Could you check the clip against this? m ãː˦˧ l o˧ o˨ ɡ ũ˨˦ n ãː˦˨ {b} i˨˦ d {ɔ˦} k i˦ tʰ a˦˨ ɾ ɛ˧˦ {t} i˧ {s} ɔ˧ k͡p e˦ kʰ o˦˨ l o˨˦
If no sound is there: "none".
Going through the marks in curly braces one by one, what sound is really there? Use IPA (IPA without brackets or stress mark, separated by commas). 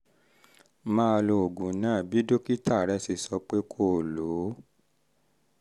b, o˦, s, s